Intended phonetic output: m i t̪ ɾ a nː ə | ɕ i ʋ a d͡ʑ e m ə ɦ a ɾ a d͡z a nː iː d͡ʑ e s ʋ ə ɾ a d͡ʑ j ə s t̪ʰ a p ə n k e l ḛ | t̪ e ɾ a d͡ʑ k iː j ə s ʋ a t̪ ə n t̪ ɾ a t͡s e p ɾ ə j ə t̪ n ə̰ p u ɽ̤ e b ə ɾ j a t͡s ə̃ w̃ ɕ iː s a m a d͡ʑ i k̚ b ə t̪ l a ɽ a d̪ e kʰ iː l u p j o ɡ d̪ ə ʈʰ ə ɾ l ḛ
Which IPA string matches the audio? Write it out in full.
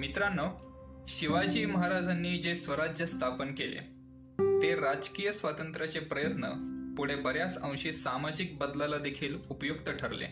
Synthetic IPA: m i t̪ ɾ a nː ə | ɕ i ʋ a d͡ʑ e m ə ɦ a ɾ a d͡z a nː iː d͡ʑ e s ʋ ə ɾ a d͡ʑ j ə s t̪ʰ a p ə n k e l ḛ | t̪ e ɾ a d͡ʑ k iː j ə s ʋ a t̪ ə n t̪ ɾ a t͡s e p ɾ ə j ə t̪ n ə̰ p u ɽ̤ e b ə ɾ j a t͡s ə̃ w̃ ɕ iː s a m a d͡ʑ i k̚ b ə d̪ l a l a d̪ e kʰ iː l u p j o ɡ t̪ ə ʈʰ ə ɾ l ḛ